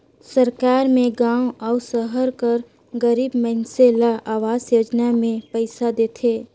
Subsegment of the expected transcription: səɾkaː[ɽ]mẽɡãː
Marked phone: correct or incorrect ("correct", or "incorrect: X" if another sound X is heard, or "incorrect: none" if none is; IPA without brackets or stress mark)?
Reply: incorrect: ɾ